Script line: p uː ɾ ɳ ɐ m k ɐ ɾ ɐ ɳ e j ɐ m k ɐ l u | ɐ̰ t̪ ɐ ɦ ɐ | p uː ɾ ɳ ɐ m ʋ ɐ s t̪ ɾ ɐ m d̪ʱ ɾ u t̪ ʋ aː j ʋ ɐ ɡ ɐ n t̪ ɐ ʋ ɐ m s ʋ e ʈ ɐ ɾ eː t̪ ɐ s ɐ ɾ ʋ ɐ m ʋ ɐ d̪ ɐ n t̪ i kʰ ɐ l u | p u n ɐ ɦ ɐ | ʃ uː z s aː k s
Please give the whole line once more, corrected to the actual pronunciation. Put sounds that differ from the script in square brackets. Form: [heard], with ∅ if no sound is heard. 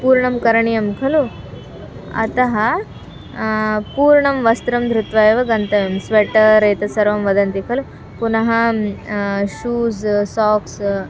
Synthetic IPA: p uː ɾ ɳ ɐ m k ɐ ɾ ɐ ɳ [i] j ɐ m [kʰ] ɐ l u | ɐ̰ t̪ ɐ ɦ ɐ | p uː ɾ ɳ ɐ m ʋ ɐ s t̪ ɾ ɐ m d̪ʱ ɾ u t̪ ʋ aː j ʋ ɐ ɡ ɐ n t̪ ɐ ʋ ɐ m s ʋ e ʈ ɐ ɾ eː t̪ ɐ s ɐ ɾ ʋ ɐ m ʋ ɐ d̪ ɐ n t̪ i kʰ ɐ l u | p u n ɐ ɦ ɐ | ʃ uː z s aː k s